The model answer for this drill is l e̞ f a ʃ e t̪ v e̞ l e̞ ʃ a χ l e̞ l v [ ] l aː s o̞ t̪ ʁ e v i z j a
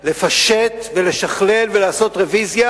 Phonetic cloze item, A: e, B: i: A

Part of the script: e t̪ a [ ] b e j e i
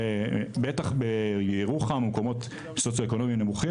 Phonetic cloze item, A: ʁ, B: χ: B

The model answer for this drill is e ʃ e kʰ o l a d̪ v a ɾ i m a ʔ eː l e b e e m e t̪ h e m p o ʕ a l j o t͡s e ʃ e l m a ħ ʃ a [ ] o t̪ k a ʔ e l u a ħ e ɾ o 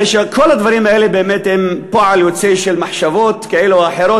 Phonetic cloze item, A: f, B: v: B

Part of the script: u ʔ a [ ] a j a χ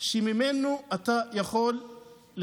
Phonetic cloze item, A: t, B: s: A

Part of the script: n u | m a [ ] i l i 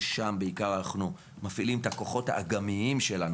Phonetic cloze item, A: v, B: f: B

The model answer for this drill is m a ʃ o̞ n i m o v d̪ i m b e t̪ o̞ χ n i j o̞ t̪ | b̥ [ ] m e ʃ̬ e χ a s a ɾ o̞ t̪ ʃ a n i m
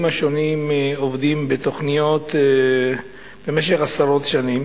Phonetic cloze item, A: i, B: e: B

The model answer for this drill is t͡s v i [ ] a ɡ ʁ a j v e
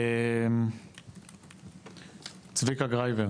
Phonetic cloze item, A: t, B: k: B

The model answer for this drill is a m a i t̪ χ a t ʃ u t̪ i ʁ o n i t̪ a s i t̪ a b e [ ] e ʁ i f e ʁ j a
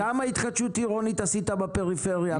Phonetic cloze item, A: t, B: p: B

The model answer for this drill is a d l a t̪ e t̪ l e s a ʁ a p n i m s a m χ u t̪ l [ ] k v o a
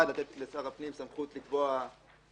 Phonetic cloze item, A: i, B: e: A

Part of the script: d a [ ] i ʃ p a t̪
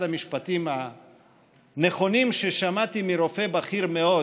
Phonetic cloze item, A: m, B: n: A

